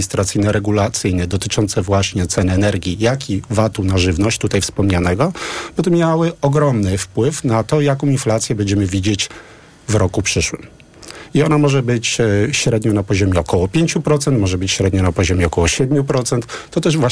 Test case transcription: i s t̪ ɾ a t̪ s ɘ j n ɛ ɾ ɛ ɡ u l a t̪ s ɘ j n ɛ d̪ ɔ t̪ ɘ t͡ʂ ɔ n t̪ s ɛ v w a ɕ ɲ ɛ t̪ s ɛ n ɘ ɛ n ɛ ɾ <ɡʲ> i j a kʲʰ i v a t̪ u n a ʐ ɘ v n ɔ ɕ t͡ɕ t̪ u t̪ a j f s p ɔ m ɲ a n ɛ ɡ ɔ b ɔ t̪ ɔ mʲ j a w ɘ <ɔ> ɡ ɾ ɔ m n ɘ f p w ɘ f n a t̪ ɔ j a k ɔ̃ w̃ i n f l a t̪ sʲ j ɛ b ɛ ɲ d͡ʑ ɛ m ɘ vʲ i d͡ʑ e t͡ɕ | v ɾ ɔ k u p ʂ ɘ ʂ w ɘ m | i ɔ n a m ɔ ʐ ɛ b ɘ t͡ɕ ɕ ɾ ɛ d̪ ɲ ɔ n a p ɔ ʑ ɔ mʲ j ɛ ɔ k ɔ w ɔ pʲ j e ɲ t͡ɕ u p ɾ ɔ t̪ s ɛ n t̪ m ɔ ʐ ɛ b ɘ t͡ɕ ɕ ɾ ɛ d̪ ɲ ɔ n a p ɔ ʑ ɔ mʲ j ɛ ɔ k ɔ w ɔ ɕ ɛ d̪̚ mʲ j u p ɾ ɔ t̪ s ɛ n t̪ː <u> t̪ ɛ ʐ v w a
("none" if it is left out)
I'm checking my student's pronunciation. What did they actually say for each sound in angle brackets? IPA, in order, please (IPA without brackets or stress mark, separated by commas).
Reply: ɡʲ, ɔ, ɔ